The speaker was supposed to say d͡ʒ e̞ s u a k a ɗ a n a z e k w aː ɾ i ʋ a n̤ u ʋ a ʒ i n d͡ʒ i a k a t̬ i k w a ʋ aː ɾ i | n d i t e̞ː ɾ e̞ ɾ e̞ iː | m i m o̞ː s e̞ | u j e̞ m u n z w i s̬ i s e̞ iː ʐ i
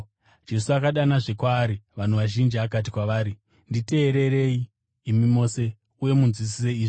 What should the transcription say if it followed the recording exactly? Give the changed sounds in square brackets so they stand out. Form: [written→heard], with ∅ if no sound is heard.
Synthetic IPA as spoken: d͡ʒ e̞ s u a k a ɗ a n a [z→ʐ] e k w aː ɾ i ʋ a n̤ u ʋ a ʒ i n d͡ʒ i a k a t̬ i k w a ʋ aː ɾ i | n d i t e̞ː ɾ e̞ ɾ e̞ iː | m i m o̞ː s e̞ | u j e̞ m u n z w i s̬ i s e̞ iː ʐ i